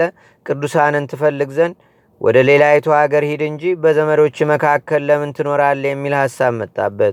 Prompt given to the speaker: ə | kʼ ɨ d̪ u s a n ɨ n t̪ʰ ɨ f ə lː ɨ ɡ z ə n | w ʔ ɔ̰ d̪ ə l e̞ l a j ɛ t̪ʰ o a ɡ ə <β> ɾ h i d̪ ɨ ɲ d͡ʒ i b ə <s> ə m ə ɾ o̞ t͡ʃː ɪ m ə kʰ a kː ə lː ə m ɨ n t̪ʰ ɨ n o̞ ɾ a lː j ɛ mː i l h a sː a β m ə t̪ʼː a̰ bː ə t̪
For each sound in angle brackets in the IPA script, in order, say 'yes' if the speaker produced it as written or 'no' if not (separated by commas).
no, no